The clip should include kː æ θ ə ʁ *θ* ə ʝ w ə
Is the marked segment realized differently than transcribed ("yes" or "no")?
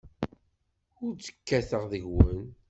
yes